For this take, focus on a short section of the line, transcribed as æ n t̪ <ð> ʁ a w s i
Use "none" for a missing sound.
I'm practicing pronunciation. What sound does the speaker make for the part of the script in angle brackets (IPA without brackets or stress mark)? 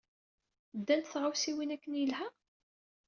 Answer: θ